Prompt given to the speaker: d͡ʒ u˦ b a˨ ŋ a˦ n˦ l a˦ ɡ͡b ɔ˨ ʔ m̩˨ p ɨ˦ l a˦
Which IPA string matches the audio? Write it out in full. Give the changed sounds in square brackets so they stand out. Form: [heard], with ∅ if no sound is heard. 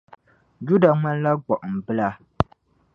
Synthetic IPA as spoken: d͡ʒ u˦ [d] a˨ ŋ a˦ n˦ l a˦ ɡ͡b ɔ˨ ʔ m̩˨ [b] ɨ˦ l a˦

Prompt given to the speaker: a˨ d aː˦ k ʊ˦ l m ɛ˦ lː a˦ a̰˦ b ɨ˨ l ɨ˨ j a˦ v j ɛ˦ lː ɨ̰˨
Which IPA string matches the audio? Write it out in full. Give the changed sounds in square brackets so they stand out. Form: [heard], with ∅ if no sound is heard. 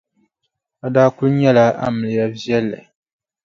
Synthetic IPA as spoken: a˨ d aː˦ k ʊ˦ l [ɲ] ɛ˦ [l] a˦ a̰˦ [m] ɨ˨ l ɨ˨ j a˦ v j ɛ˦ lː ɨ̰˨

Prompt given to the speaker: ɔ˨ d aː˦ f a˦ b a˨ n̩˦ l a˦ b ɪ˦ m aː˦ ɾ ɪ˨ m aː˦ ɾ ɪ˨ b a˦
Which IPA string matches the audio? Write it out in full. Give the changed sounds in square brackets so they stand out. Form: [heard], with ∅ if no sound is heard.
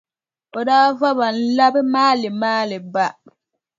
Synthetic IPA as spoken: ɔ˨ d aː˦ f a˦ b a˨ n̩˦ l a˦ b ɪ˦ m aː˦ [l] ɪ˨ m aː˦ [l] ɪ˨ b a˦

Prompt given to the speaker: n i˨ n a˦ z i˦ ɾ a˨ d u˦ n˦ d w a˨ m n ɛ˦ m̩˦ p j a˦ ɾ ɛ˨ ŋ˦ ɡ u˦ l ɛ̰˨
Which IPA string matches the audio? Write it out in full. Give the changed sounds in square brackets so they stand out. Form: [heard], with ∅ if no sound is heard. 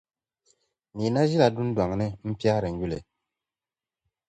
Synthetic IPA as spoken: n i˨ n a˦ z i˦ [l] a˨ d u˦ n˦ d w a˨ [ŋ] n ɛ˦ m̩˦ p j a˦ ɾ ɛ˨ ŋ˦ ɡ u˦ l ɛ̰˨

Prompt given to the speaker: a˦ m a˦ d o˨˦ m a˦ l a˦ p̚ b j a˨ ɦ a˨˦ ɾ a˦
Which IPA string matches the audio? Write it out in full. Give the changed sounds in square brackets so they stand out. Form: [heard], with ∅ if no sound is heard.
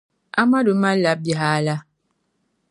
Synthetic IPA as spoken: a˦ m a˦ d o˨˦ m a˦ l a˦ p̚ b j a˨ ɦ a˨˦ [l] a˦

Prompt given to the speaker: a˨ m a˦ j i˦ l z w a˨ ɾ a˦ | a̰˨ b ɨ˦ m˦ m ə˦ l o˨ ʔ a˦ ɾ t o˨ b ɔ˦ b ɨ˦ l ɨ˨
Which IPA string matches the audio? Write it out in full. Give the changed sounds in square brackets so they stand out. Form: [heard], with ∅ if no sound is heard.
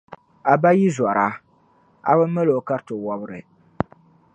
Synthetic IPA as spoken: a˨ [b] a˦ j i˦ [∅] z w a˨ ɾ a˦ | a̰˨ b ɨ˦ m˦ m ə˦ l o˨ [k] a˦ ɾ t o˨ [w] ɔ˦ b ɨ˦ [ɾ] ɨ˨

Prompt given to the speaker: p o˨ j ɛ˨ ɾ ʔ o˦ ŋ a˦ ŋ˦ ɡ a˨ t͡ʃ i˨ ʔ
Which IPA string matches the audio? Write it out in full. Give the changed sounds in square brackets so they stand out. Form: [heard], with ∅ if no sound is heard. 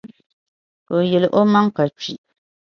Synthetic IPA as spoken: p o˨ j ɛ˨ [l] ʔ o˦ [m] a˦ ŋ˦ [k] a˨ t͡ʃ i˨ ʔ

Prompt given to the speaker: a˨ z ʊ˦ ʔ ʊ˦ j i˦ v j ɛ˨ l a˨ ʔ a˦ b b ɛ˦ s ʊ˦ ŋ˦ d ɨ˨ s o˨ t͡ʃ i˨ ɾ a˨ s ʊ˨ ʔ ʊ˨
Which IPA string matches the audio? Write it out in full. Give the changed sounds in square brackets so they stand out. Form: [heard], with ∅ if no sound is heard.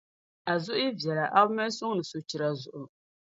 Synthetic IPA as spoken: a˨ z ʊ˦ ʔ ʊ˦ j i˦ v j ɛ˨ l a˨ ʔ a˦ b [m] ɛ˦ s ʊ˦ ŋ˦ [n] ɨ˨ s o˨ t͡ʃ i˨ ɾ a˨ [z] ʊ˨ ʔ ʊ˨

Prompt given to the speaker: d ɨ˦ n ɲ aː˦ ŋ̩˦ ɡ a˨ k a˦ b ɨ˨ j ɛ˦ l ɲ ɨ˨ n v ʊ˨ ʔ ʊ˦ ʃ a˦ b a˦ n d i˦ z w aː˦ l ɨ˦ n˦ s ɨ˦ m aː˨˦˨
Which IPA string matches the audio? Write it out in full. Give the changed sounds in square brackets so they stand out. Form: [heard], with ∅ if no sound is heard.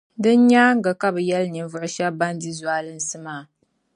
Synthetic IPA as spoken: d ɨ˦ n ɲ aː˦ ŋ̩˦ ɡ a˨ k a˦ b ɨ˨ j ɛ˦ l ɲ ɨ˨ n v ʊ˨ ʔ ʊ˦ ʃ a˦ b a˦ n d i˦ z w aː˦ l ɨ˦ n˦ s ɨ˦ m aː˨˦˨

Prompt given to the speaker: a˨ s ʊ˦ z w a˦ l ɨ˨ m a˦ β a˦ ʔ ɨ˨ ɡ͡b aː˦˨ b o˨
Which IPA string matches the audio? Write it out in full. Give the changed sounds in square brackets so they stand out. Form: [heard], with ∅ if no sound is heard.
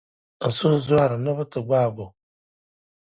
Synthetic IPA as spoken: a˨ s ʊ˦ z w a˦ [ɾ] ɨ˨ [n] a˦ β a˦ [t] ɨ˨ ɡ͡b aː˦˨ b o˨

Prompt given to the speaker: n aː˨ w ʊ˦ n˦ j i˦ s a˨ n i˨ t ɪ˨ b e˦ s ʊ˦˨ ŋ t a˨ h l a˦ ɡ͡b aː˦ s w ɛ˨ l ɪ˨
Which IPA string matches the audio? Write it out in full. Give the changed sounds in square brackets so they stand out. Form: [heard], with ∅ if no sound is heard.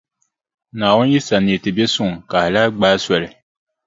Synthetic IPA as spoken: n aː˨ w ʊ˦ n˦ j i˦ s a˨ n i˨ t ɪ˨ b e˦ s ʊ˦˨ ŋ [k] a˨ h l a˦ ɡ͡b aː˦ s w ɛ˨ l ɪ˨

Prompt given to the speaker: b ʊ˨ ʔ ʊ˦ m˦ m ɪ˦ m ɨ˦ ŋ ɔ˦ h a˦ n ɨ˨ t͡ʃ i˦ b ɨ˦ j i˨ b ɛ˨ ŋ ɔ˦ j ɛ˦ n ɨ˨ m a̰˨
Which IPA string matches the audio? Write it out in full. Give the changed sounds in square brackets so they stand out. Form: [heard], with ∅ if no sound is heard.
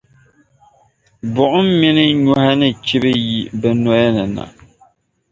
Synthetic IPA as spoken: b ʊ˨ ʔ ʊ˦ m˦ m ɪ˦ [n] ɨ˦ [ɲ] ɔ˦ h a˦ n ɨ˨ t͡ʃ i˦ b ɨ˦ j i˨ b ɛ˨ [n] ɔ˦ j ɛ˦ n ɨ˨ [n] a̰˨

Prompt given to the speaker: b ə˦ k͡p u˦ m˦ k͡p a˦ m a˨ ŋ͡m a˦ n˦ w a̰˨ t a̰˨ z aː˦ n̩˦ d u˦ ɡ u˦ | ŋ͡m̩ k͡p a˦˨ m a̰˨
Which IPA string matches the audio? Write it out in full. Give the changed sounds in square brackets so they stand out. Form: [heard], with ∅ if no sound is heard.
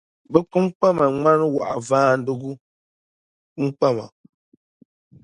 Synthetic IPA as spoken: b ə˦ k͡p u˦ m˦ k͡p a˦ m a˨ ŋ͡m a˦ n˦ w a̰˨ [ʔ] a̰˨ [v] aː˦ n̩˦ d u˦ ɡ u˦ | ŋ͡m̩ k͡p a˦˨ m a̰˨

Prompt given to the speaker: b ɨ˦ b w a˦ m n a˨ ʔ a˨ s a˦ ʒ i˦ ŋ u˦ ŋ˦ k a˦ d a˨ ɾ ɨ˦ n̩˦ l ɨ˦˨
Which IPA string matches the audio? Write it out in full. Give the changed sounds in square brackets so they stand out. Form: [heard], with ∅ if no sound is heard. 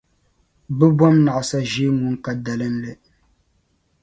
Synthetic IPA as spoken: b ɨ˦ b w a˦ m n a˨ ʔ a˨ s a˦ ʒ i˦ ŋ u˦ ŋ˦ k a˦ d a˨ [l] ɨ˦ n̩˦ l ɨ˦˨

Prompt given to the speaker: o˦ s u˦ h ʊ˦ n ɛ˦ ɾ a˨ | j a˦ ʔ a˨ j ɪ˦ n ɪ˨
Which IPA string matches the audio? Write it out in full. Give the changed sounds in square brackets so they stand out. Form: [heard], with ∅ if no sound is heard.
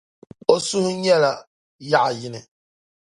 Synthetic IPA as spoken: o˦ s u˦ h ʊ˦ [ɲ] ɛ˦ [l] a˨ | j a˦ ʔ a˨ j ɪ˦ n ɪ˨

